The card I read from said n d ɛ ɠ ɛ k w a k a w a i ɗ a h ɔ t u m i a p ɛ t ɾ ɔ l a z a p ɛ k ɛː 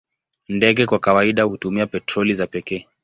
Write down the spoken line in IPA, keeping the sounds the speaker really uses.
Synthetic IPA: n d ɛ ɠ ɛ k w a k a w a i ɗ a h u t u m i a p ɛ t ɾ ɔ l i z a p ɛ k ɛː